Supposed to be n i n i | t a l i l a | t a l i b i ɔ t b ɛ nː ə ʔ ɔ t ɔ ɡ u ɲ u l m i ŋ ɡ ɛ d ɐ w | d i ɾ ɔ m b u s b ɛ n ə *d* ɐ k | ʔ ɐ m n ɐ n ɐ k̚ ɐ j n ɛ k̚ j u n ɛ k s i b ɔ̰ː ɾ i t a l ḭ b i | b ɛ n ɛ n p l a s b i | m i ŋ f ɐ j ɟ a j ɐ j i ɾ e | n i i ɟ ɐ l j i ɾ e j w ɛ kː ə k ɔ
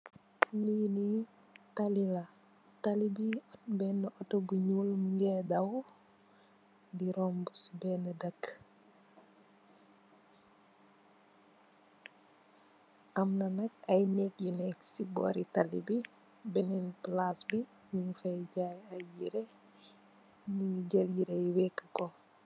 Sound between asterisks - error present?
no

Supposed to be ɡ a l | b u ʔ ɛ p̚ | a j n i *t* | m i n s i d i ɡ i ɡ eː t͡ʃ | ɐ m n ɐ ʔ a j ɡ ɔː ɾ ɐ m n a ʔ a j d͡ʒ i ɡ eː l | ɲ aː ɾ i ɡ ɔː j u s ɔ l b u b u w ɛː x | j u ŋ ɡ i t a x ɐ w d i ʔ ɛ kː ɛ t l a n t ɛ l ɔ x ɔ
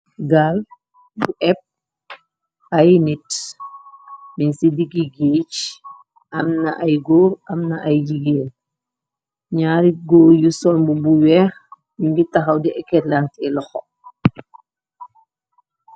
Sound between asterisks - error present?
no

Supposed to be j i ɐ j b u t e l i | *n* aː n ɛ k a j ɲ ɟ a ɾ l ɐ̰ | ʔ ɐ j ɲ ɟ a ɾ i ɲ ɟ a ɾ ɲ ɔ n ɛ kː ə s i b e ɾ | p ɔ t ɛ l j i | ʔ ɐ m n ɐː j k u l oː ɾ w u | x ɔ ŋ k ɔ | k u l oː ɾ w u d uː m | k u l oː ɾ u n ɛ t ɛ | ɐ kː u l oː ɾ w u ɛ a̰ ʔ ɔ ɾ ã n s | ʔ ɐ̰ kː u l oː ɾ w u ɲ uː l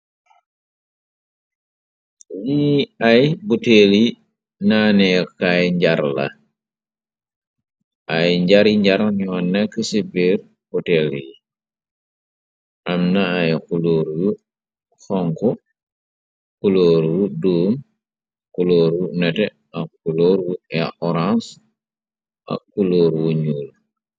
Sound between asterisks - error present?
no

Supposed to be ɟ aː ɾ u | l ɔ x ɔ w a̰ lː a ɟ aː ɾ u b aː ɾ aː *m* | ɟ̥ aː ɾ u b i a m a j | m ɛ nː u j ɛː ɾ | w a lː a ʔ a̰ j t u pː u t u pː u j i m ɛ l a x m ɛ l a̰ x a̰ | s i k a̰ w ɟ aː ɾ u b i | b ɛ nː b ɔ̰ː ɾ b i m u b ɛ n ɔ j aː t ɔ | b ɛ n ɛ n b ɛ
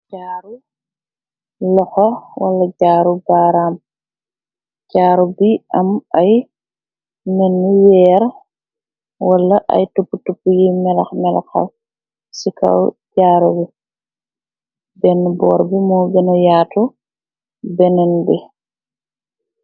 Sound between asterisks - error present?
no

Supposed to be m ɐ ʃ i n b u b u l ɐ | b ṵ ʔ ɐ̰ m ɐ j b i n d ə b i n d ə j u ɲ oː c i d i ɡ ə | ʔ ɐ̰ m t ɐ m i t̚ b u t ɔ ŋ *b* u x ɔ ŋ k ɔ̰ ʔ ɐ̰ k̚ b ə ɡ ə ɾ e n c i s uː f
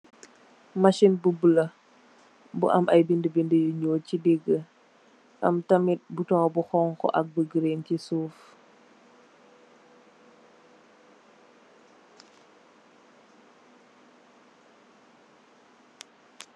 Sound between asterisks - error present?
no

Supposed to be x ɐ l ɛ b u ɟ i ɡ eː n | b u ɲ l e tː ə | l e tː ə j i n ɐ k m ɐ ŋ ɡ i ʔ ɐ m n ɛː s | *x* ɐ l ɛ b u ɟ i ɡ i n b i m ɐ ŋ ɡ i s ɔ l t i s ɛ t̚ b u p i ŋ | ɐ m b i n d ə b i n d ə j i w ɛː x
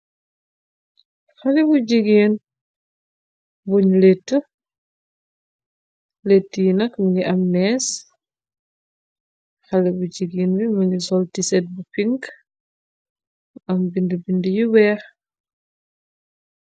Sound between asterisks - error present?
no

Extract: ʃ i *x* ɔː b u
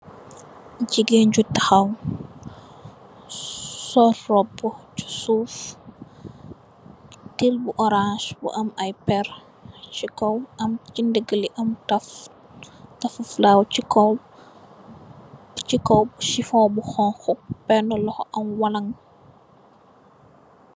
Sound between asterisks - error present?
yes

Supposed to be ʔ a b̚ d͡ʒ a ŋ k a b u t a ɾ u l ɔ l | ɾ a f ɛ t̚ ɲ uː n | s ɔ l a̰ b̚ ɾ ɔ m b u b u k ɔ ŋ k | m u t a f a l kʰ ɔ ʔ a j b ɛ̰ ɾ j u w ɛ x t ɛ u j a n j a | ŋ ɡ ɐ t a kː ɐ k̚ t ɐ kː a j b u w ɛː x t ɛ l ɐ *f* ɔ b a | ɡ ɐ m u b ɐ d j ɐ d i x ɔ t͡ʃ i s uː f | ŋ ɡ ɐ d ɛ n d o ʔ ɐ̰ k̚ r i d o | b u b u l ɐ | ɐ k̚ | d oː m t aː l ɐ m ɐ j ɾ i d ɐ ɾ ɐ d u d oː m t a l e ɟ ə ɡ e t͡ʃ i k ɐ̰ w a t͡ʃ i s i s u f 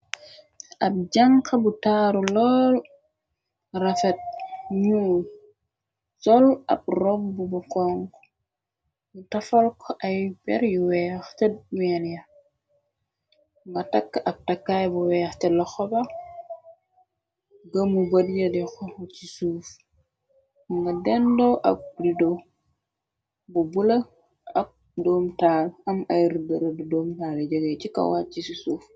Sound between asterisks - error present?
yes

